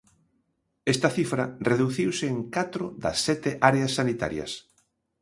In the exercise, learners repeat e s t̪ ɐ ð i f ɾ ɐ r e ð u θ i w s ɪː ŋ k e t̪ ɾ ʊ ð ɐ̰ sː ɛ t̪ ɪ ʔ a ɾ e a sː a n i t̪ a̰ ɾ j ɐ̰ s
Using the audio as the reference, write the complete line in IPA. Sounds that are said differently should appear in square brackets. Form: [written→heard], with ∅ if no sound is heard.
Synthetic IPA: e s t̪ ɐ [ð→θ] i f ɾ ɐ r e ð u θ i w s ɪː ŋ k [e→a] t̪ ɾ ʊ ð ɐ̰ sː ɛ t̪ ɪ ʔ a ɾ e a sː a n i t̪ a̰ ɾ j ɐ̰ s